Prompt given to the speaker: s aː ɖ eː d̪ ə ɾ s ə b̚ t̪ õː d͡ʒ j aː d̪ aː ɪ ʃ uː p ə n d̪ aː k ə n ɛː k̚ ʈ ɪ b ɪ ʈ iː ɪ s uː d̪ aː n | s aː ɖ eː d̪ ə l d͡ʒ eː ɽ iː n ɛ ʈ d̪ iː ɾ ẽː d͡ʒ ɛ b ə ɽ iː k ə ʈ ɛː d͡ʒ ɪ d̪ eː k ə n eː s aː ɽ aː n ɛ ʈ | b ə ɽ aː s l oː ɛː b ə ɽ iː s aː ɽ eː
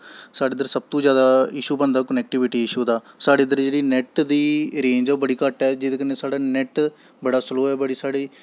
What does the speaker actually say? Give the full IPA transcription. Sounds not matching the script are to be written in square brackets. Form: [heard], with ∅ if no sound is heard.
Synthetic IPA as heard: s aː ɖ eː d̪ ə ɾ s ə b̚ t̪ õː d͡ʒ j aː d̪ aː ɪ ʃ uː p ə n d̪ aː k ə n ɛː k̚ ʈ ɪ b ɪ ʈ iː ɪ [ʃ] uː d̪ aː [∅] | s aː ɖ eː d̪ ə [ɾ] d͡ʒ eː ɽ iː n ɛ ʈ d̪ iː ɾ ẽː d͡ʒ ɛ b ə ɽ iː k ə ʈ ɛː d͡ʒ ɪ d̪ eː k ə n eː s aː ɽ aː n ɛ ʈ | b ə ɽ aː s l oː ɛː b ə ɽ iː s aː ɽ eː